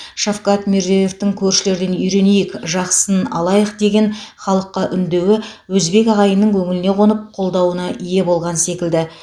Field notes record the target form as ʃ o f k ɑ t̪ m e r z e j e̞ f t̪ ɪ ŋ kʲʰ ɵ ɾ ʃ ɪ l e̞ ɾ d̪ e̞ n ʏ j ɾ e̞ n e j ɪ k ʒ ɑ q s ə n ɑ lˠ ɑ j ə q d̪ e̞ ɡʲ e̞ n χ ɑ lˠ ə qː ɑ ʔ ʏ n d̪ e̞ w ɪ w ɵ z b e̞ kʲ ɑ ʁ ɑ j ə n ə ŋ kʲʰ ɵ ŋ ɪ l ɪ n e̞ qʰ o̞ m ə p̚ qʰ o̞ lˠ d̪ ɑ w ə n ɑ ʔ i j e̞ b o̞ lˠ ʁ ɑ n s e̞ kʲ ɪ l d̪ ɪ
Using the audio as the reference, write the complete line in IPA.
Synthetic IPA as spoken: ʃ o f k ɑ t̪ m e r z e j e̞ f t̪ ɪ ŋ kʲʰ ɵ ɾ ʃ ɪ l e̞ ɾ d̪ e̞ n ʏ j ɾ e̞ n e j ɪ k ʒ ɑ q s ə n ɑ lˠ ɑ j ə q d̪ e̞ ɡʲ e̞ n χ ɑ lˠ ə qː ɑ ʔ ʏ n d̪ e̞ w ɪ w ɵ z b e̞ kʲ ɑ ʁ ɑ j ə n ə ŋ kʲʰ ɵ ŋ ɪ l ɪ n e̞ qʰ o̞ n ə p̚ qʰ o̞ lˠ d̪ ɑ w ə n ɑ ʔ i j e̞ b o̞ lˠ ʁ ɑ n s e̞ kʲ ɪ l d̪ ɪ